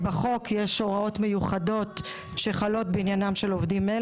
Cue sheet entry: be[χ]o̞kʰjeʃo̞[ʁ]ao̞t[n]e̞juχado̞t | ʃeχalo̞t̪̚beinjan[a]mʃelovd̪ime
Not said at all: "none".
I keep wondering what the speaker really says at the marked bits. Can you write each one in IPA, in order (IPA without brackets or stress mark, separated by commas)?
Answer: χ, ʁ, m, a